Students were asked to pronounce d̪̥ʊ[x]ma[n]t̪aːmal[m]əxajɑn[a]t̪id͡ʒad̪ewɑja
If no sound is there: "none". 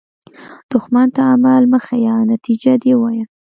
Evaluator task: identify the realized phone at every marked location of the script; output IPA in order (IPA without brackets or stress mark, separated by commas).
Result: x, n, m, a